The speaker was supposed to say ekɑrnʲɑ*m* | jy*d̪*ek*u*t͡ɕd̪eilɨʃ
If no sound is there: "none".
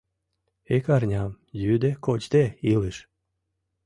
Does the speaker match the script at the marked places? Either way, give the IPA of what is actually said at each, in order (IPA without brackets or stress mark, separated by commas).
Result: m, d̪, o